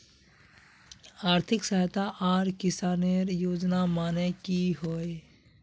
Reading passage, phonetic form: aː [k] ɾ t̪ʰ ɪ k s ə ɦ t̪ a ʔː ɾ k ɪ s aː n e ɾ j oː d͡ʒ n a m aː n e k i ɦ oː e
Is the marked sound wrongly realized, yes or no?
yes